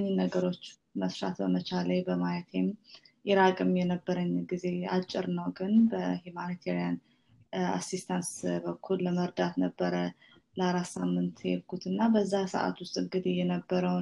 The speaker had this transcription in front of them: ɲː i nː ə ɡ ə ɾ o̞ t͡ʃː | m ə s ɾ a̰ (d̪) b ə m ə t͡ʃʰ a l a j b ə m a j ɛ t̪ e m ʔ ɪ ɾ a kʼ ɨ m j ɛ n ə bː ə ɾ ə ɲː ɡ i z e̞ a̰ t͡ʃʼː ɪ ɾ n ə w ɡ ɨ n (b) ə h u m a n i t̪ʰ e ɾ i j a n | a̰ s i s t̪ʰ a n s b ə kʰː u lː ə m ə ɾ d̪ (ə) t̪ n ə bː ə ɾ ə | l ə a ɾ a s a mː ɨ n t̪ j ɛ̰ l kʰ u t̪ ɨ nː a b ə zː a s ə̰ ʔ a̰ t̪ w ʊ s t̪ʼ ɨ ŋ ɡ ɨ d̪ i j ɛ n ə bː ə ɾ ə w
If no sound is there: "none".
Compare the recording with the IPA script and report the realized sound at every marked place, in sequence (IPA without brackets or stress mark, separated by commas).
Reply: t̪, b, a